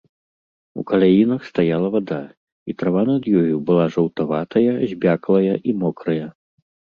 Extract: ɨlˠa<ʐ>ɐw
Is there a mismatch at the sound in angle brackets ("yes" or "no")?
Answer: no